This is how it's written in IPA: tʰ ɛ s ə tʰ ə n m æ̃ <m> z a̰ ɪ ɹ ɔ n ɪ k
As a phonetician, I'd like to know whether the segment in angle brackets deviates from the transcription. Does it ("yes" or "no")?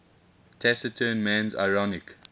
yes